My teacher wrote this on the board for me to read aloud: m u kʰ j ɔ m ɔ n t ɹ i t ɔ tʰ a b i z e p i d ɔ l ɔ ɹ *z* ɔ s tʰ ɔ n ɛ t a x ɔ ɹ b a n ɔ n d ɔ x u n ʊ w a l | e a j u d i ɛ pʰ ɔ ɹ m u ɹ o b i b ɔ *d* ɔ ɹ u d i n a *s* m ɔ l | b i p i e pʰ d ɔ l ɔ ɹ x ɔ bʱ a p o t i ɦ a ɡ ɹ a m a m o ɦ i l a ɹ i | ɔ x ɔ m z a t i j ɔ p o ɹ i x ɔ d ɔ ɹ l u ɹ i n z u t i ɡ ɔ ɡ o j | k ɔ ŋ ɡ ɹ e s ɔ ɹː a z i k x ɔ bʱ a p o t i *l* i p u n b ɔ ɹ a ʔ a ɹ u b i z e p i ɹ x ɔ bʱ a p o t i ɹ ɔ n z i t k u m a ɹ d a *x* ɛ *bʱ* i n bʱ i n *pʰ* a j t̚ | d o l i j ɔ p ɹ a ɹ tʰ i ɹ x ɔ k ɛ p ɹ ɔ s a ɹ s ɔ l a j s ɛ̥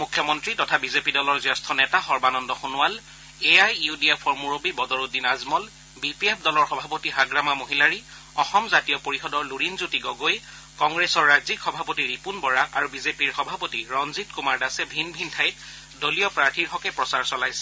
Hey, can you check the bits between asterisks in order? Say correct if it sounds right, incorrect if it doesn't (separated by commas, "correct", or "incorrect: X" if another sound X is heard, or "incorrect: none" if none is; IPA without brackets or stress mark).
correct, correct, incorrect: z, incorrect: ɹ, incorrect: s, correct, incorrect: tʰ